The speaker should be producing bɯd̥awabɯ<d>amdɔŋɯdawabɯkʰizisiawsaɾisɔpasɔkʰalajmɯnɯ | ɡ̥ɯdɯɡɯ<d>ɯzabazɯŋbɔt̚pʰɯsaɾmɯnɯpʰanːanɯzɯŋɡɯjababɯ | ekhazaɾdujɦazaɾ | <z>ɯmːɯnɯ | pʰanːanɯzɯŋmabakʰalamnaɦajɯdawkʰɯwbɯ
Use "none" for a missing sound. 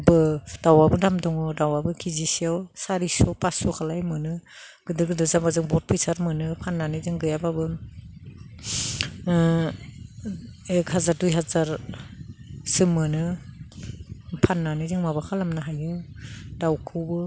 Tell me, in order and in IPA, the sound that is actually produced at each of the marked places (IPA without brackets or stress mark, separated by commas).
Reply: d, d, s